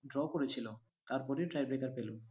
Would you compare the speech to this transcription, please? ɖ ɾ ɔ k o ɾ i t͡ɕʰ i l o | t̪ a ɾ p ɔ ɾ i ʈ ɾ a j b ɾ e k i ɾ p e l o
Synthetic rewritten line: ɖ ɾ ɔ k o ɾ e t͡ɕʰ i l o | t̪ a ɾ p ɔ ɾ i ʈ ɾ a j b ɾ e k a ɾ p e l o